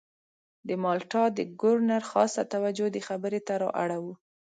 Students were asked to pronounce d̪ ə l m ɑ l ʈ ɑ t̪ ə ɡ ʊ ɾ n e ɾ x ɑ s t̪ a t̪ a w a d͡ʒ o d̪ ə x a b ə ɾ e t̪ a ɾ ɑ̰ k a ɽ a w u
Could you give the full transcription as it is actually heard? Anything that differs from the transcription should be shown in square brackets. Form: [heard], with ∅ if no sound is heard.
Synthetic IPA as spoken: d̪ ə [∅] m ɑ l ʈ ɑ [d̪] ə ɡ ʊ ɾ n [a] ɾ x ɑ s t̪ a t̪ a w a d͡ʒ o d̪ ə x a b ə ɾ e t̪ a ɾ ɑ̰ [ʔ] a ɽ a w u